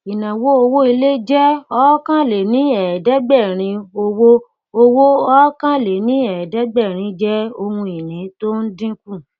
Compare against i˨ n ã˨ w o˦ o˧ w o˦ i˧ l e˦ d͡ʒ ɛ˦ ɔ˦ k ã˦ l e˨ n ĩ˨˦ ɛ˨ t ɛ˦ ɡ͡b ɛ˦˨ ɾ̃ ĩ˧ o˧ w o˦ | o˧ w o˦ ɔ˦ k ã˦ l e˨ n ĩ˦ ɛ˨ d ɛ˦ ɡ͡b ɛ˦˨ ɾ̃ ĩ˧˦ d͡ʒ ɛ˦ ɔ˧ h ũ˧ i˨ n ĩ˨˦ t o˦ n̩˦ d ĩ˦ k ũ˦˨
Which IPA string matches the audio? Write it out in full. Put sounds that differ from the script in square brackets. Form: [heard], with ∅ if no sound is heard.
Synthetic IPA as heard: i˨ n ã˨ w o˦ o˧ w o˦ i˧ l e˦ d͡ʒ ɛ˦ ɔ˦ k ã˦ l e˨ n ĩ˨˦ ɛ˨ [d] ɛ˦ ɡ͡b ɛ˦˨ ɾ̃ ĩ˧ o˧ w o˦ | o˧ w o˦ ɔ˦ k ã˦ l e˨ n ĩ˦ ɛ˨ d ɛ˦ ɡ͡b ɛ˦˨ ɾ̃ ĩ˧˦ d͡ʒ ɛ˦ [o˧] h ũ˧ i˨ n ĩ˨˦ t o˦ n̩˦ d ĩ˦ k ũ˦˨